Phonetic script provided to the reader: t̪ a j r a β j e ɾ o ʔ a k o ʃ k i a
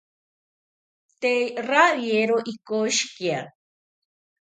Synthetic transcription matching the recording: t̪ e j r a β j e ɾ o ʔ i k o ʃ k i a